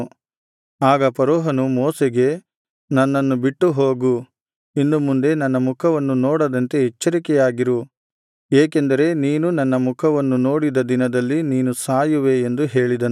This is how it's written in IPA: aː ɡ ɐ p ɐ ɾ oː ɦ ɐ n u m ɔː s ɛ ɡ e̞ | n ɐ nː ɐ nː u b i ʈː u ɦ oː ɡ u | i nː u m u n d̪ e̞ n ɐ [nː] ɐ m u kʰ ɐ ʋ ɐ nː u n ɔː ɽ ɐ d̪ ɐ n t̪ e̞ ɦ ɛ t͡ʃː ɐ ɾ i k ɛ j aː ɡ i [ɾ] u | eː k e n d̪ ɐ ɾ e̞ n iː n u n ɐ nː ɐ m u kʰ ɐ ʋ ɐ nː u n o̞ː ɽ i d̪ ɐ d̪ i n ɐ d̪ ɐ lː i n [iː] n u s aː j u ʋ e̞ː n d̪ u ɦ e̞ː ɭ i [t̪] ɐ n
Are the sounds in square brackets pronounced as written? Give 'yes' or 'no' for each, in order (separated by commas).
yes, yes, yes, no